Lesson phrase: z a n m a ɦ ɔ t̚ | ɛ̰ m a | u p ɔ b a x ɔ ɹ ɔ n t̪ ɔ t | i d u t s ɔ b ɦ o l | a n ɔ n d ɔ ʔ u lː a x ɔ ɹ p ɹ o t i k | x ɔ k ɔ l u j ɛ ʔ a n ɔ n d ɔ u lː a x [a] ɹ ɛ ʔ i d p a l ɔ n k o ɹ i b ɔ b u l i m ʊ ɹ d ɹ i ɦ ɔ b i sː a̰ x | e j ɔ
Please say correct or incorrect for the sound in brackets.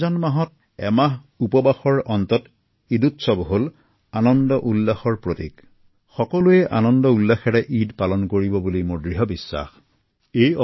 incorrect